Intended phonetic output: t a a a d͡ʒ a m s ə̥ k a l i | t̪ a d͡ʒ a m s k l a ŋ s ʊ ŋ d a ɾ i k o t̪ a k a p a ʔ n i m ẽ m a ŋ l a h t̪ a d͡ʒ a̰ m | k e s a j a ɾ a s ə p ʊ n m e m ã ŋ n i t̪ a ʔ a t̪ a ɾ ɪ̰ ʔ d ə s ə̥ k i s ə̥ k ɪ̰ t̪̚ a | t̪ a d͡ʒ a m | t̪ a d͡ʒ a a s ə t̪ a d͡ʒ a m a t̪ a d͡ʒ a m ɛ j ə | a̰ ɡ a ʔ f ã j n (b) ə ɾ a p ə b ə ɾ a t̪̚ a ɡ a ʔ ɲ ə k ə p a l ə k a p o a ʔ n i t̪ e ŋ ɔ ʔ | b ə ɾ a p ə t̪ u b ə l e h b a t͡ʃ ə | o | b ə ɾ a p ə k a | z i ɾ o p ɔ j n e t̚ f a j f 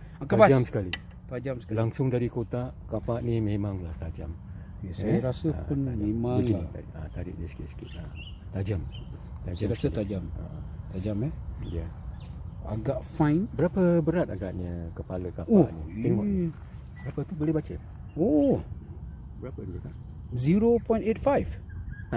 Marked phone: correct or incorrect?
correct